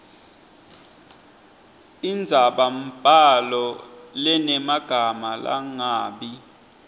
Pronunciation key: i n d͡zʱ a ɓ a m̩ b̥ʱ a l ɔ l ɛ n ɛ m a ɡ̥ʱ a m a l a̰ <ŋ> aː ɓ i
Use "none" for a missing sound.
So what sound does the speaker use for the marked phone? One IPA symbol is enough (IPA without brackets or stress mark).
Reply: ŋ